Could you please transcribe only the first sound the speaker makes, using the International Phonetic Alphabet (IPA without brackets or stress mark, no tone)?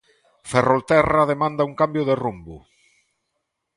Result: f